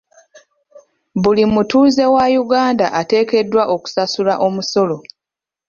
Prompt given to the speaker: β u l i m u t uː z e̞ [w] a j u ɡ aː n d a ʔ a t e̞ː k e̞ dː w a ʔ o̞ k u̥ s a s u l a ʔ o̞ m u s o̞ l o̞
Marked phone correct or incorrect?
correct